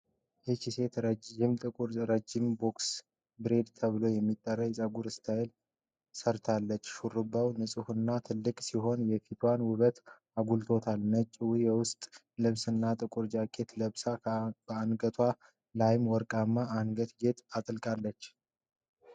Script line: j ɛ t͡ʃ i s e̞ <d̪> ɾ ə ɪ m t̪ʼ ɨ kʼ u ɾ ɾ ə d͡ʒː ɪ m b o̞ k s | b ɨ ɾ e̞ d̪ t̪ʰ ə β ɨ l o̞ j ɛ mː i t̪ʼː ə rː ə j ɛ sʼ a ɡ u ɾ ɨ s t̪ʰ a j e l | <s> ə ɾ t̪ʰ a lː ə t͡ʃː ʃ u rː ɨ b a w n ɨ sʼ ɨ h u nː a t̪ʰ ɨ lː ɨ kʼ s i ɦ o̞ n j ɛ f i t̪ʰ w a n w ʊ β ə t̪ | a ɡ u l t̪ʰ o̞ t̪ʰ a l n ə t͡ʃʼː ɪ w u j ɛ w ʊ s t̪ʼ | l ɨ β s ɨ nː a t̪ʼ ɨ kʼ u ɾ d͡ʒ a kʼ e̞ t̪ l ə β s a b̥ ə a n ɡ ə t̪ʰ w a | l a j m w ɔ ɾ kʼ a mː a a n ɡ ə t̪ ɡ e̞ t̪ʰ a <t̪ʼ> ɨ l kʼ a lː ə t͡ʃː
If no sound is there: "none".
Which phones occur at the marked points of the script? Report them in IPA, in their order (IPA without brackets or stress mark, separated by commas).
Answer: t̪, s, t̪ʼ